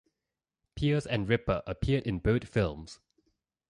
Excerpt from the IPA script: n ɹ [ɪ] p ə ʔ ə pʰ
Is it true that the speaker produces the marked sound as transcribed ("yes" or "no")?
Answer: yes